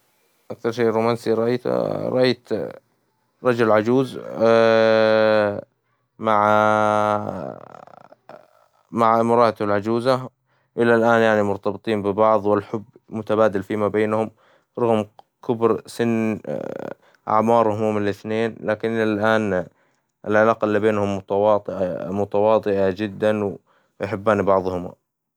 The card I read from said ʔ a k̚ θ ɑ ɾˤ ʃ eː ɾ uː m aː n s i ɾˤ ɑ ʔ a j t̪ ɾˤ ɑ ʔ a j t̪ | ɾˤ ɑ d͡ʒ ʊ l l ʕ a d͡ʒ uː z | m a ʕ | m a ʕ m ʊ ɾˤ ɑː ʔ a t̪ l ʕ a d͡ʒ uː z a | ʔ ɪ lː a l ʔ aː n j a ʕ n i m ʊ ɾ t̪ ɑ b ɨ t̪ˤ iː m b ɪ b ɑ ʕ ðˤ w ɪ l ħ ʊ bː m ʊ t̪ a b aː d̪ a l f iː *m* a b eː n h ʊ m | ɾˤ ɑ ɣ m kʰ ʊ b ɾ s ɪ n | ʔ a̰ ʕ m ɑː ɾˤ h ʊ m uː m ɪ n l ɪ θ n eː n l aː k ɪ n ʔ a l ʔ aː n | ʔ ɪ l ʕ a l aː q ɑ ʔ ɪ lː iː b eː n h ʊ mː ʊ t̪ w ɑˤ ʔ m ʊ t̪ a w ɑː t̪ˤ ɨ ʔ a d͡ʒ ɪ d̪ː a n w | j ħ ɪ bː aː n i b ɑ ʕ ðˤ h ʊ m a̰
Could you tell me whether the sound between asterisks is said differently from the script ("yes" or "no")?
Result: no